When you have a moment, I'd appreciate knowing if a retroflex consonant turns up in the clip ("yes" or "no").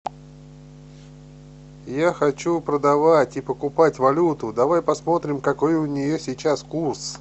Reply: no